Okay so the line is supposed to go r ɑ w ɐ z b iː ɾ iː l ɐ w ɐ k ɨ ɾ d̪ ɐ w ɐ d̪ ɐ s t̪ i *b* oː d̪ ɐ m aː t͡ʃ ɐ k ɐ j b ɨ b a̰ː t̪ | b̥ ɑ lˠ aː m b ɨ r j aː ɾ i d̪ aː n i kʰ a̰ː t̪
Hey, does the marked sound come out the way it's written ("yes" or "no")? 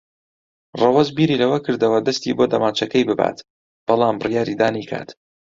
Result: yes